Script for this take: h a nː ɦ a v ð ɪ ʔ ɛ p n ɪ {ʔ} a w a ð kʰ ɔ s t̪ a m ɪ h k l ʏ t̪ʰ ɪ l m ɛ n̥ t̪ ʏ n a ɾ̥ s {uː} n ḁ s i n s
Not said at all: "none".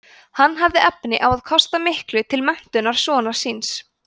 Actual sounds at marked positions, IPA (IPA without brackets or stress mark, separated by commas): ʔ, ɔː